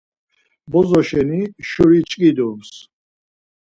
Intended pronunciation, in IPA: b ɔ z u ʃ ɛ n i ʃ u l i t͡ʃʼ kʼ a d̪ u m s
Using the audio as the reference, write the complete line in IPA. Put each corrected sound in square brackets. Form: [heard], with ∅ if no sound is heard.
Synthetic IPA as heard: b ɔ z [ɔ] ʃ ɛ n i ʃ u [ɾ] i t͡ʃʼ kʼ [i] d̪ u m s